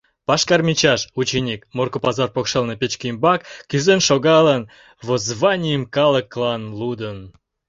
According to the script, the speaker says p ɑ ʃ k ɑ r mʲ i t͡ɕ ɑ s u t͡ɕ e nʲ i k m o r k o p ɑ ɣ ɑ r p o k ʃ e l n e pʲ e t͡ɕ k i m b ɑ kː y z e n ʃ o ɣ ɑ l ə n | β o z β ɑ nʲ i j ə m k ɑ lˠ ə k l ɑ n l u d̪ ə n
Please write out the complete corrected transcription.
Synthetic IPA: p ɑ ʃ k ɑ r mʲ i t͡ɕ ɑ ʃ u t͡ɕ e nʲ i k m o r k o p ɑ z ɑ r p o k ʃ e l n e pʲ e t͡ɕ k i m b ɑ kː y z e n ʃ o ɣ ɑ l ə n | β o z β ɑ nʲ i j ə m k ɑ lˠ ə k l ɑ n l u d̪ ə n